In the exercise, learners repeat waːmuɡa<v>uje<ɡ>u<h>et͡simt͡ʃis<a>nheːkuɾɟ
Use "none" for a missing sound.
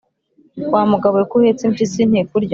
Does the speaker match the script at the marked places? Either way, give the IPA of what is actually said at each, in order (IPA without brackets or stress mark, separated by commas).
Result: β, k, h, i